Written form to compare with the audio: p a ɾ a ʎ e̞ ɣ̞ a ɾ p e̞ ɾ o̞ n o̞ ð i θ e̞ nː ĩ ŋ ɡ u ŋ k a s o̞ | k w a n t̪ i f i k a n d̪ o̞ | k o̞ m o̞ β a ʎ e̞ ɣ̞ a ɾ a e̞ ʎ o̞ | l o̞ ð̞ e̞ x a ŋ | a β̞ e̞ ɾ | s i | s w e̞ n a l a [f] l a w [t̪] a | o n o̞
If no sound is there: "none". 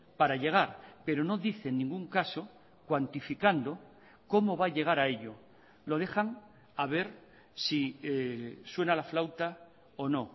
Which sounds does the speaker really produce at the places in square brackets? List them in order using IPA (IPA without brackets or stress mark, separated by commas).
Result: f, t̪